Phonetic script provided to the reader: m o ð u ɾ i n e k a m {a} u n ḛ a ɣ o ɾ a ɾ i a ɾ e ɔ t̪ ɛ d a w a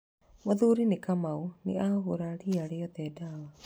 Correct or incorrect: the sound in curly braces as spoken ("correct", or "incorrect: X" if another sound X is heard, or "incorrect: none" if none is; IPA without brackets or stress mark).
correct